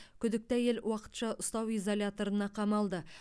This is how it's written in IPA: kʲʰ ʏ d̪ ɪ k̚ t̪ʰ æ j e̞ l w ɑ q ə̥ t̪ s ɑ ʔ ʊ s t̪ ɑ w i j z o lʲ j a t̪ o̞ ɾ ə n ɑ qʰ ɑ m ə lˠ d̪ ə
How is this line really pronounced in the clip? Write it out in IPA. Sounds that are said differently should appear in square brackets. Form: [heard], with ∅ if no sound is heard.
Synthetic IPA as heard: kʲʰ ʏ d̪ ɪ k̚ [t̪] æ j e̞ l w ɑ q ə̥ t̪ [ʃ] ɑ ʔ ʊ s t̪ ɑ w i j z o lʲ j a t̪ o̞ ɾ ə n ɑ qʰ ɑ m [ɑ] lˠ d̪ ə